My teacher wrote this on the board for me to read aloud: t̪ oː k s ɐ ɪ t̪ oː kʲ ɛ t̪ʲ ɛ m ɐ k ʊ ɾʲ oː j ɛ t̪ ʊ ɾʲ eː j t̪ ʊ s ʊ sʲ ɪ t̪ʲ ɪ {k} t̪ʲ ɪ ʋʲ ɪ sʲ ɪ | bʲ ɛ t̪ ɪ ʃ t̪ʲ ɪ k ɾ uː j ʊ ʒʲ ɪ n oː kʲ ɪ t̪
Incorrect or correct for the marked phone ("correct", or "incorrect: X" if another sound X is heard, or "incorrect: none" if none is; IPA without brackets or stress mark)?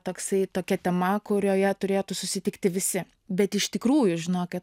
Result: correct